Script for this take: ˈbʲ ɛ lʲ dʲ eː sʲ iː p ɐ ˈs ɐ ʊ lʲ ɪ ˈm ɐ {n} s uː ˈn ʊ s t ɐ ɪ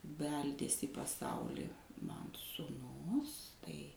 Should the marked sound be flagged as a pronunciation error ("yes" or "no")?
no